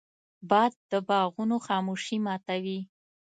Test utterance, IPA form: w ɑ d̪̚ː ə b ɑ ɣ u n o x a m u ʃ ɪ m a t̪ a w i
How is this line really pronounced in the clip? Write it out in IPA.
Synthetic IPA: b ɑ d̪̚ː ə b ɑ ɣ u n o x ɑ m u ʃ i m ɑ t̪ a w i